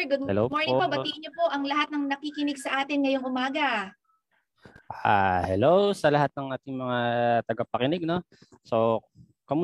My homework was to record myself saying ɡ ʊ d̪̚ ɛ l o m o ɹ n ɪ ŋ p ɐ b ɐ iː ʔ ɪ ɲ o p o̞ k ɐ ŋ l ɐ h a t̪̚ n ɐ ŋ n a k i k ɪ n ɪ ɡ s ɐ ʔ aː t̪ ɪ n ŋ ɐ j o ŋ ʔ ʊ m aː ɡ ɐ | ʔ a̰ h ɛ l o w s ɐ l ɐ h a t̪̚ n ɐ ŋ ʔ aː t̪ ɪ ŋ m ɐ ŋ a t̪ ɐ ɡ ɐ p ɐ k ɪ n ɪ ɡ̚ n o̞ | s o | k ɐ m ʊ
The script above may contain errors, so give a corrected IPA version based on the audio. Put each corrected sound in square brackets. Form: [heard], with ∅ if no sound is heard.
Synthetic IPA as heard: ɡ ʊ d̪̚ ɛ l o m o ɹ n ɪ ŋ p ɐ b ɐ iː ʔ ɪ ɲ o p o̞ [ʔ] ɐ ŋ l ɐ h a t̪̚ n ɐ ŋ n [ɐ] k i k ɪ n ɪ ɡ s ɐ ʔ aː t̪ ɪ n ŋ ɐ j o ŋ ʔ ʊ m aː ɡ ɐ | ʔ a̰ h ɛ l o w s ɐ l ɐ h a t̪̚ n ɐ ŋ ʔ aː t̪ ɪ ŋ m ɐ ŋ a t̪ ɐ ɡ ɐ p ɐ k ɪ n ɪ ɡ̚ n o̞ | s o | k ɐ m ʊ